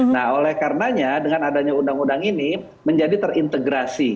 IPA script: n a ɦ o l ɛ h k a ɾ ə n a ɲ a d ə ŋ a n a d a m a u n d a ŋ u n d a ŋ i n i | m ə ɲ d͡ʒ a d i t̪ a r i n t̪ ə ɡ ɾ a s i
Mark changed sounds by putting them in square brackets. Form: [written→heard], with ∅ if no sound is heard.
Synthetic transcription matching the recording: n a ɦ o l ɛ h k a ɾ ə n a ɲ a d ə ŋ a n a d a [m→ɲ] a u n d a ŋ u n d a ŋ i n i | m ə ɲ d͡ʒ a d i t̪ [a→ə] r i n t̪ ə ɡ ɾ a s i

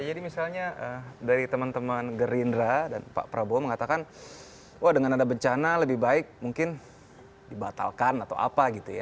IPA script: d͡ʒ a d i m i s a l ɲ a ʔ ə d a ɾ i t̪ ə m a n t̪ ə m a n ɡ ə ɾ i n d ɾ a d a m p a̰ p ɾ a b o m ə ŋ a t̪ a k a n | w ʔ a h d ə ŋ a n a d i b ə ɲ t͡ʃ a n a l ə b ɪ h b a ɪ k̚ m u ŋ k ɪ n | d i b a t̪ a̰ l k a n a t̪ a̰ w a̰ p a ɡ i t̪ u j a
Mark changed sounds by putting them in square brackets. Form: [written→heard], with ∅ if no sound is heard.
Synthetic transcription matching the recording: d͡ʒ a d i m i s a l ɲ a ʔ ə d a ɾ i t̪ ə m a n t̪ ə m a n ɡ ə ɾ i n d ɾ a d a [m→n] p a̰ p ɾ a b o m ə ŋ a t̪ a k a n | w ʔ a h d ə ŋ a n a d [i→a] b ə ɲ t͡ʃ a n a l ə b ɪ h b a ɪ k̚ m u ŋ k ɪ n | d i b a t̪ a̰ l k a n a t̪ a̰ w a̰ p a ɡ i t̪ u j a

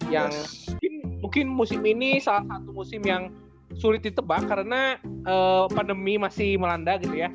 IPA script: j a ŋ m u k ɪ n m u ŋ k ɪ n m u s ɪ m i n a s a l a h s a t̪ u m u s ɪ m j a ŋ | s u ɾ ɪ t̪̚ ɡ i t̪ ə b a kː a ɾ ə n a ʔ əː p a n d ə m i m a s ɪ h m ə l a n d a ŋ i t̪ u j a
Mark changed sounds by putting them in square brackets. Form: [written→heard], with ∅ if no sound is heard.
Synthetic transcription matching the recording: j a ŋ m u k ɪ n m u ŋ k ɪ n m u s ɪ m i n [a→i] s a l a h s a t̪ u m u s ɪ m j a ŋ | s u ɾ ɪ t̪̚ [ɡ→d] i t̪ ə b a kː a ɾ ə n a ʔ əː p a n d ə m i m a s ɪ h m ə l a n d a [ŋ→ɡ] i t̪ u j a

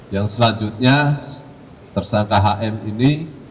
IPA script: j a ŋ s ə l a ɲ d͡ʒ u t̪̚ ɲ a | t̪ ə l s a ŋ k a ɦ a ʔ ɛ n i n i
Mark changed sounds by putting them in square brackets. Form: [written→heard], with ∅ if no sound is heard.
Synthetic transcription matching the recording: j a ŋ s ə l a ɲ d͡ʒ u t̪̚ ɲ a | t̪ ə [l→r] s a ŋ k a ɦ a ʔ ɛ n i n i

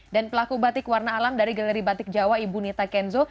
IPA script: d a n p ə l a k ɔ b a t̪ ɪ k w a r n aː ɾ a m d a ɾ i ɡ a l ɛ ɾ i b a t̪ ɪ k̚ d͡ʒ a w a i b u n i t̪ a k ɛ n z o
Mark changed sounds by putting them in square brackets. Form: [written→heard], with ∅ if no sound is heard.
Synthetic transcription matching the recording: d a n p ə l a k [ɔ→u] b a t̪ ɪ k w a r n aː [ɾ→l] a m d a ɾ i ɡ a l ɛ ɾ i b a t̪ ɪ k̚ d͡ʒ a w a i b u n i t̪ a k ɛ n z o

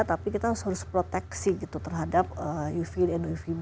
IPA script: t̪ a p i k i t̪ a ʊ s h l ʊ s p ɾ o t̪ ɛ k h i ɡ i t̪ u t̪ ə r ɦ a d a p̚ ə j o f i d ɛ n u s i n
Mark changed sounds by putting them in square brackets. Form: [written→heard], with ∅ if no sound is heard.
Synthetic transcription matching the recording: t̪ a p i k i t̪ a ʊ s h [l→ɾ] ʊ s p ɾ o t̪ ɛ k [h→s] i ɡ i t̪ u t̪ ə r ɦ a d a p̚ ə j [o→u] f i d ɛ n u [s→f] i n

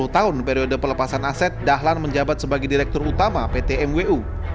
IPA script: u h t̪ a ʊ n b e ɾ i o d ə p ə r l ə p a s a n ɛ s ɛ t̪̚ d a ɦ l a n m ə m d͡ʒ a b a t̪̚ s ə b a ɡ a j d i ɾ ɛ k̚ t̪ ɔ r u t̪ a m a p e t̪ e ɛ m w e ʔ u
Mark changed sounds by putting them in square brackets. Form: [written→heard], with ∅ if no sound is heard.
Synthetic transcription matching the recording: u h t̪ a ʊ n [b→p] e ɾ i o d ə p ə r l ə p a s a n [ɛ→a] s ɛ t̪̚ d a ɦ l a n m ə [m→ɲ] d͡ʒ a b a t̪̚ s ə b a ɡ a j d i ɾ ɛ k̚ t̪ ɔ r u t̪ a m a p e t̪ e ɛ m w e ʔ u

